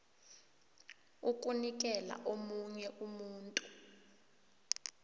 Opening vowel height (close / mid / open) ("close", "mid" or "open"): close